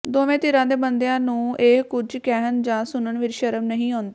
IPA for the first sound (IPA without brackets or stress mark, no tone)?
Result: d̪